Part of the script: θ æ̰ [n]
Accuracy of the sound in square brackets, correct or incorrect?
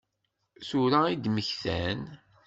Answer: correct